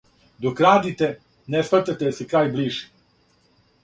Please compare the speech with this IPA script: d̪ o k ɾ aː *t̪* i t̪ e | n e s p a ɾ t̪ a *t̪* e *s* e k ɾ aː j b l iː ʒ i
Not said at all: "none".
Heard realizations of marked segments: d̪, t̪, s

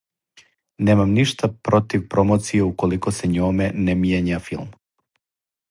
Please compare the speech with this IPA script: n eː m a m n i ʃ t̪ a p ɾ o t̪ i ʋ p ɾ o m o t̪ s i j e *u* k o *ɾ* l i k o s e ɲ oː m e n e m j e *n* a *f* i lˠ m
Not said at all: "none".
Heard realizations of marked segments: u, none, ɲ, f

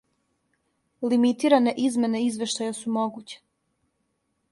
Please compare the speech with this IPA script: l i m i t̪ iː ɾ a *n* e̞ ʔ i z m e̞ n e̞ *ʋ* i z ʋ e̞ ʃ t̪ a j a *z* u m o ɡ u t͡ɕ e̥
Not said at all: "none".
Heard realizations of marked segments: n, none, s

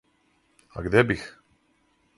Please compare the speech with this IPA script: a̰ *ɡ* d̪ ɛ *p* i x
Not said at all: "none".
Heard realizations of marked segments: ɡ, b

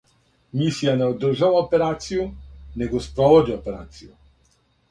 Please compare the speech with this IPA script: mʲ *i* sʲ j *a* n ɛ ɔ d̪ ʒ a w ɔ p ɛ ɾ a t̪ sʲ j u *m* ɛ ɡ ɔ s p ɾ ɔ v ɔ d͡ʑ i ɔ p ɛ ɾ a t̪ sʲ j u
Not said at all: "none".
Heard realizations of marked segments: i, a, n

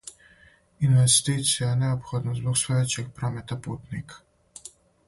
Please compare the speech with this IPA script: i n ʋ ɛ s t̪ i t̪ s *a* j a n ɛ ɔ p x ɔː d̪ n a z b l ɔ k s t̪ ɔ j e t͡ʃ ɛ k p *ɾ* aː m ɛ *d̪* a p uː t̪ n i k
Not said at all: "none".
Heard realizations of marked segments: i, ɾ, t̪

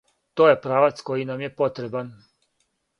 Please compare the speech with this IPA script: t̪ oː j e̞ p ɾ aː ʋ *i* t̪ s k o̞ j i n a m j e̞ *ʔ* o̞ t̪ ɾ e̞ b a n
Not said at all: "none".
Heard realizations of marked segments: a, p

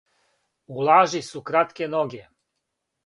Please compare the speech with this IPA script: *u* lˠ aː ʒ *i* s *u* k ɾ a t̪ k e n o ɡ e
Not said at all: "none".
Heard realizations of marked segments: u, i, u

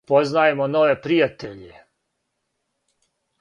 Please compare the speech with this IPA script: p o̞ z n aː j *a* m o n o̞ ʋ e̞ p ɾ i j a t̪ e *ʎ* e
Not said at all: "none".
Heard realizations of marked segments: e, ʎ

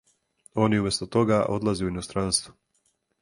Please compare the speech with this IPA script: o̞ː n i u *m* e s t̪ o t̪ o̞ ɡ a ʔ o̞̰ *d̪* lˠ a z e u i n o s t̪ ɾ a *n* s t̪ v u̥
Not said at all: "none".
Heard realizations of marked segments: m, d̪, n

